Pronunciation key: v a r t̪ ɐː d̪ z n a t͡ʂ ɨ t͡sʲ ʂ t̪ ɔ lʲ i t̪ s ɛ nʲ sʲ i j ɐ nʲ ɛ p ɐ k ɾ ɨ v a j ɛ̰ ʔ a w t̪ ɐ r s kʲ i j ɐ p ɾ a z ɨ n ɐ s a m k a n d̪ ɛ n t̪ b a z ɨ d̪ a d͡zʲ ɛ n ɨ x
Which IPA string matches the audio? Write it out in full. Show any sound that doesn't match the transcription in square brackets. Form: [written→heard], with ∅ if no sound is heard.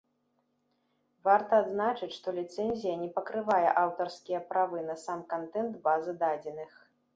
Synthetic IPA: v a r t̪ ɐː d̪ z n a t͡ʂ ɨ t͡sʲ ʂ t̪ ɔ lʲ i t̪ s ɛ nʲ [sʲ→zʲ] i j ɐ nʲ ɛ p ɐ k ɾ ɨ v a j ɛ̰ ʔ a w t̪ ɐ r s kʲ i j ɐ p ɾ a [z→v] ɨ n ɐ s a m k a n [d̪→t̪] ɛ n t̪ b a z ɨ d̪ a d͡zʲ ɛ n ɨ x